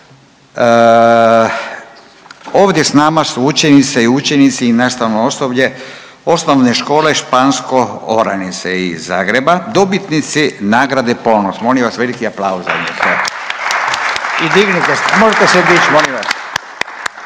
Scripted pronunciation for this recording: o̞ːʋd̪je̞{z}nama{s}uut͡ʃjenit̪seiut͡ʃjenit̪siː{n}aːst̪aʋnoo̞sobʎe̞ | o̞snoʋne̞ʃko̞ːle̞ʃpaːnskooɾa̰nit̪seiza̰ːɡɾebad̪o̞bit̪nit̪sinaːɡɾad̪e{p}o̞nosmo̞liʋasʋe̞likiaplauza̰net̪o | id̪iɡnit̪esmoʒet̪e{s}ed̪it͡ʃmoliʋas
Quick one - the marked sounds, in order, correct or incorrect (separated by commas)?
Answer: incorrect, correct, correct, correct, correct